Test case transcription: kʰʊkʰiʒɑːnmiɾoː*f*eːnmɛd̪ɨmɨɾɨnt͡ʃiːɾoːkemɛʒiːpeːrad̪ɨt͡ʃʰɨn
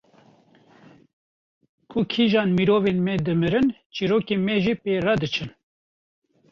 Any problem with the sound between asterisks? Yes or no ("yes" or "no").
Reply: yes